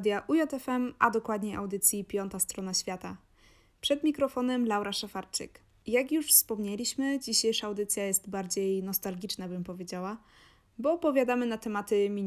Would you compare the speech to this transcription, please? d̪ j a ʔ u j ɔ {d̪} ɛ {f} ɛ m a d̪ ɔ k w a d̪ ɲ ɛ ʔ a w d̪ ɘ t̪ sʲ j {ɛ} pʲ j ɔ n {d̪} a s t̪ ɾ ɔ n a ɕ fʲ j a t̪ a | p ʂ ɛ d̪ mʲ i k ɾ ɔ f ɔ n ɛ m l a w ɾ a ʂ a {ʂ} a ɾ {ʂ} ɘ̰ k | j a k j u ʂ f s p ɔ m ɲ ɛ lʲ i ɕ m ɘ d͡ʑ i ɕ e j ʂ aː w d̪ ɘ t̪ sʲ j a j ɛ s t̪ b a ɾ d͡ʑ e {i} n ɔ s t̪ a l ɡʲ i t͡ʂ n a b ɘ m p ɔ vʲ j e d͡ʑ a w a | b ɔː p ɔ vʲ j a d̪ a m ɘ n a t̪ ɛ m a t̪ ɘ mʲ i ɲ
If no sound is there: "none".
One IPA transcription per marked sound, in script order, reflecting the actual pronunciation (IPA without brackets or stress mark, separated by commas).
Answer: t̪, f, i, t̪, f, t͡ʂ, j